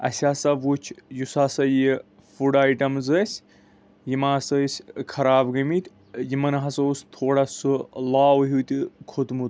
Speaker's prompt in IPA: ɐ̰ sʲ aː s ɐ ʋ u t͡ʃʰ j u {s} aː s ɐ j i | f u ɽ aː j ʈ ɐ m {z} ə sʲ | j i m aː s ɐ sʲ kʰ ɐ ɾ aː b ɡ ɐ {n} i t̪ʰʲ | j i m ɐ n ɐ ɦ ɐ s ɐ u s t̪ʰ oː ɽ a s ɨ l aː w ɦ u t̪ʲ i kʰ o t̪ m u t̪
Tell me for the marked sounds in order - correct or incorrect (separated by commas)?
correct, correct, incorrect